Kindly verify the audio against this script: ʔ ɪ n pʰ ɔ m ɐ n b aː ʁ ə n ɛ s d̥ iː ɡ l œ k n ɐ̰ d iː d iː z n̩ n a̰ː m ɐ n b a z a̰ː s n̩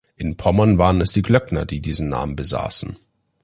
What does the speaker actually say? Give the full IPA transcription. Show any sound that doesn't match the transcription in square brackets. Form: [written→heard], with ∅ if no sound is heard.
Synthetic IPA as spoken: ʔ ɪ n pʰ ɔ m ɐ n [b→v] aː ʁ ə n ɛ s d̥ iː ɡ l œ k n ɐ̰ d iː d iː z n̩ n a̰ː m [ɐ→ə] n b [a→ə] z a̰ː s n̩

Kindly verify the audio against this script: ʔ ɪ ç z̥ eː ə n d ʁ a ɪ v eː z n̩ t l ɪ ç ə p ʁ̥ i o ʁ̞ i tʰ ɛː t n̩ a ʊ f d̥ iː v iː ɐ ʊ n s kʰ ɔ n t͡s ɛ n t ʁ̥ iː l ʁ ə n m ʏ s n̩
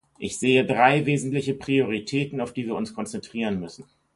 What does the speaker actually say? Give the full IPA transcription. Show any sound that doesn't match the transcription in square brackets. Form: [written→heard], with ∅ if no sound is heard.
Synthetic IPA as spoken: ʔ ɪ ç z̥ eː ə [n→∅] d ʁ a ɪ v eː z n̩ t l ɪ ç ə p ʁ̥ i o ʁ̞ i tʰ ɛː t n̩ a ʊ f d̥ iː v iː ɐ ʊ n s kʰ ɔ n t͡s ɛ n t ʁ̥ iː [l→∅] ʁ ə n m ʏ s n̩

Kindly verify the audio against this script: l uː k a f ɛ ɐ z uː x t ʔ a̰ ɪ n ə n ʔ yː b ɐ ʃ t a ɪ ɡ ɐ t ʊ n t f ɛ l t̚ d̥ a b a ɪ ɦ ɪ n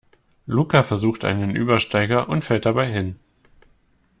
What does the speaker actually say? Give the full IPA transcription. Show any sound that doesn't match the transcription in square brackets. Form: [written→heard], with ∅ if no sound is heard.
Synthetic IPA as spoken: l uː k a f ɛ ɐ z uː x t ʔ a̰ ɪ n ə n ʔ yː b ɐ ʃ t a ɪ ɡ ɐ [t→ʔ] ʊ n t f ɛ l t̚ d̥ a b a ɪ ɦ ɪ n

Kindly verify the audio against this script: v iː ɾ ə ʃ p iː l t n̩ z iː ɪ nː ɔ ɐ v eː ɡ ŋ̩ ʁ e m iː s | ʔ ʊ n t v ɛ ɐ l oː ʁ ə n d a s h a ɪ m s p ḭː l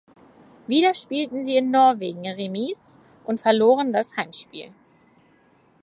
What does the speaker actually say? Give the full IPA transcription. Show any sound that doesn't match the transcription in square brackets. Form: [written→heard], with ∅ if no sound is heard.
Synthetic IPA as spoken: v iː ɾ [ə→ɐ] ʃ p iː l t n̩ z iː ɪ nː ɔ ɐ v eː ɡ ŋ̩ ʁ e m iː s | ʔ ʊ n t [v→f] ɛ ɐ l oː ʁ ə n d a s h a ɪ m [s→ʃ] p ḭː l

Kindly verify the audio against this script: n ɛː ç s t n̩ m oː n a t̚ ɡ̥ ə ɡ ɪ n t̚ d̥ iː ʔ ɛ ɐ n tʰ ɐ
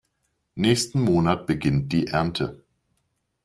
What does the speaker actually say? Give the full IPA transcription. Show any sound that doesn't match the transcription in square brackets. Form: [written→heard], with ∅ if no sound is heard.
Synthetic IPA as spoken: n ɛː ç s t n̩ m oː n a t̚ [ɡ̥→b̥] ə ɡ ɪ n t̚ d̥ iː ʔ ɛ ɐ n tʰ [ɐ→ə]

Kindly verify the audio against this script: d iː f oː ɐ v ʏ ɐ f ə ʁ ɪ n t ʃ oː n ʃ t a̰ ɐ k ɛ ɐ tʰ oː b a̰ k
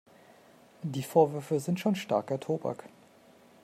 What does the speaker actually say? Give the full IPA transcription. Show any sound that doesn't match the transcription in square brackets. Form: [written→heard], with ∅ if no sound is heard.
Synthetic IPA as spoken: d iː f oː ɐ v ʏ ɐ f ə [ʁ→z] ɪ n t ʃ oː n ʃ t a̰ ɐ k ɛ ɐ tʰ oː b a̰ k

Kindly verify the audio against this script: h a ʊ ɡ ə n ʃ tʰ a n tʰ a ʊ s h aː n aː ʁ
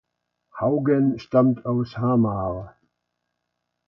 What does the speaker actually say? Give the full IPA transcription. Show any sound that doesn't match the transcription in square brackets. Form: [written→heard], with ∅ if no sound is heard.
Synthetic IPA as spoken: h a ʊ ɡ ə n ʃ [tʰ→t] a [n→m] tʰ a ʊ s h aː [n→m] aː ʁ

